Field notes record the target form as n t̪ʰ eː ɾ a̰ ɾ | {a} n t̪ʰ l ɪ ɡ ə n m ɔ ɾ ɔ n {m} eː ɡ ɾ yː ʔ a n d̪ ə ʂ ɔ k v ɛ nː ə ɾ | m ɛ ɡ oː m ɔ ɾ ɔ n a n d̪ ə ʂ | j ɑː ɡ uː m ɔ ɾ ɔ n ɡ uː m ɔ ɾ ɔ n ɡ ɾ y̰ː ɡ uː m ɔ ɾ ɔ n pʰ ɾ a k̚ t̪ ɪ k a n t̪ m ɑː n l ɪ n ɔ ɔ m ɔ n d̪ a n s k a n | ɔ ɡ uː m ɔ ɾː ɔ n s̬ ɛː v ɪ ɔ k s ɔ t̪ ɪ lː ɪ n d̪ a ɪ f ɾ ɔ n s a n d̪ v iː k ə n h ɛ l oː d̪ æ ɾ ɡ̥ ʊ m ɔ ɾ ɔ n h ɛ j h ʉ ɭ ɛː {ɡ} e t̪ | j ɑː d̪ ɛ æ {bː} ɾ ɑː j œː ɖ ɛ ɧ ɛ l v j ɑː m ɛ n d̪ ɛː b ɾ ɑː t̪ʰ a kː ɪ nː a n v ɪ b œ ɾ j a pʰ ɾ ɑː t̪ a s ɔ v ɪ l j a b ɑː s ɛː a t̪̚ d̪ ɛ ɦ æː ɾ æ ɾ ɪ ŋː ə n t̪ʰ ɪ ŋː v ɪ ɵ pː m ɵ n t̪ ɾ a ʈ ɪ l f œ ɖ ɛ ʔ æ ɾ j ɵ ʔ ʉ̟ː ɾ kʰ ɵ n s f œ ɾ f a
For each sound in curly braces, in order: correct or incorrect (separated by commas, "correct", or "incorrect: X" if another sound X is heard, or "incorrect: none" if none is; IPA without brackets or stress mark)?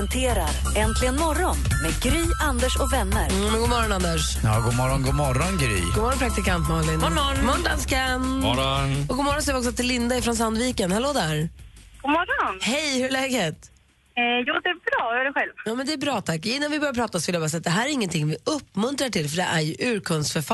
incorrect: ɛ, correct, correct, incorrect: b